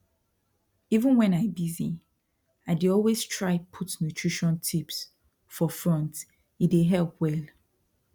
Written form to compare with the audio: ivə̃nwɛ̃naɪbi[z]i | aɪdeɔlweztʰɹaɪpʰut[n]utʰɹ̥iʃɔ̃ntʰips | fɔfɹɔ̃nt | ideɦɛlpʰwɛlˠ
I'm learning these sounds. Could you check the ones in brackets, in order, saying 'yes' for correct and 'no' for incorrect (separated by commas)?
yes, yes